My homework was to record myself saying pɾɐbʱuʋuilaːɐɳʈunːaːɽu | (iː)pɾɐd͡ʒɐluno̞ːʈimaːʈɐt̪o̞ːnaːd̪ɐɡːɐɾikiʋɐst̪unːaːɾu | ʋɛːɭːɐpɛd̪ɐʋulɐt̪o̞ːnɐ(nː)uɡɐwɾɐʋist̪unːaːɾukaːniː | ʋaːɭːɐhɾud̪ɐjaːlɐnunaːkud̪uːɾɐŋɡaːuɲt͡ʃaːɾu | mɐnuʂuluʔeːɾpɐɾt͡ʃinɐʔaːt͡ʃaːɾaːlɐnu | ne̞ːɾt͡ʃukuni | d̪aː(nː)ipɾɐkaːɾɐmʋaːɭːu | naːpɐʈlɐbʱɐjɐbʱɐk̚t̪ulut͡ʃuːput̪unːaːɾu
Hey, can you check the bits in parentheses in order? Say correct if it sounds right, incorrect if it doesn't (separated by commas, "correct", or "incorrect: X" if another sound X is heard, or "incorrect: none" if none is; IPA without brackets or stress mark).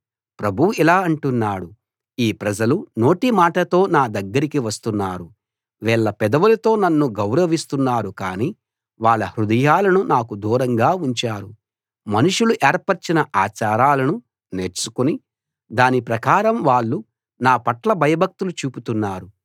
correct, correct, incorrect: n